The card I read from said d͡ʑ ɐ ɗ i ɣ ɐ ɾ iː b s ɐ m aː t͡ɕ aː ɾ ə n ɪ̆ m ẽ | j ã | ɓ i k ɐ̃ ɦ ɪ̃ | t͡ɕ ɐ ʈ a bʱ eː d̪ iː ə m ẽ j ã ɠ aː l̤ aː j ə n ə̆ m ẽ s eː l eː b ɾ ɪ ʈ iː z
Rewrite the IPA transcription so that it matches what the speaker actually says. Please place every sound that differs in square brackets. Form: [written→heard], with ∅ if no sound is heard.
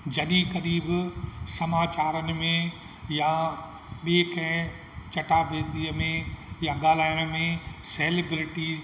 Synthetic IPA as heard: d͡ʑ ɐ ɗ i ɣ ɐ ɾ iː b s ɐ m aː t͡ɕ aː ɾ ə n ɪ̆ m ẽ | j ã | ɓ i k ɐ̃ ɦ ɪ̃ | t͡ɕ ɐ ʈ a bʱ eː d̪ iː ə m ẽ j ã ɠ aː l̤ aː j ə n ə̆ m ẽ s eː l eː b ɾ ɪ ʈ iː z